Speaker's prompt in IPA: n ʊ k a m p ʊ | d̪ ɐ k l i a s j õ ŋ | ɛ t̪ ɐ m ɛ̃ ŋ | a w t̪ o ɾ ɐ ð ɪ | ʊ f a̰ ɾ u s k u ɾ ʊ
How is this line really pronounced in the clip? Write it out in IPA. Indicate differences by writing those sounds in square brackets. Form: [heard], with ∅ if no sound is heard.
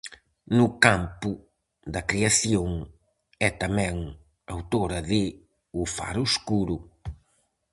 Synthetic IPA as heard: n ʊ k a m p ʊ | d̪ ɐ k [ɾ] i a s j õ ŋ | ɛ t̪ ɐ m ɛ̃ ŋ | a w t̪ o ɾ ɐ ð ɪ | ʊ f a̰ ɾ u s k u ɾ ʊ